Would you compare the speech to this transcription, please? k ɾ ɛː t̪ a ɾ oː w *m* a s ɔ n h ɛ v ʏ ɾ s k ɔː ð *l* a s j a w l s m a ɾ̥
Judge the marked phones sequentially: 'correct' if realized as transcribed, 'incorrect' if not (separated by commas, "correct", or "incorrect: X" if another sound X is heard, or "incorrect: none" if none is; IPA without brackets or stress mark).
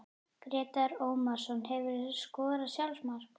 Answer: correct, incorrect: ɾ